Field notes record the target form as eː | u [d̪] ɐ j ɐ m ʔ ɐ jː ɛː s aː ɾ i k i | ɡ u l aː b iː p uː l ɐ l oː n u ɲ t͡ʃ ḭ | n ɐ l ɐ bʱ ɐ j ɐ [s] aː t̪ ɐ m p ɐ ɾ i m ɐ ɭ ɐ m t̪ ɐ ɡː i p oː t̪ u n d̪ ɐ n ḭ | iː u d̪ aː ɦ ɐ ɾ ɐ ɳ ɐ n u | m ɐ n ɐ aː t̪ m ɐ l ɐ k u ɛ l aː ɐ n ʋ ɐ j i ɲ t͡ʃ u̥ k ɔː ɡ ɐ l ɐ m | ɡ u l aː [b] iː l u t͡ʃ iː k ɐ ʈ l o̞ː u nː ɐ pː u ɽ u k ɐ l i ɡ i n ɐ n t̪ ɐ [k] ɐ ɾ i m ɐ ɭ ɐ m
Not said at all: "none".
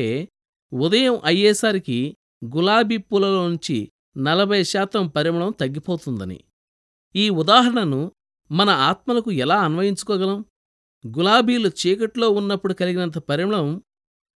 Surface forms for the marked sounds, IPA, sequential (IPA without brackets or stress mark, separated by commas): d̪, ʃ, b, p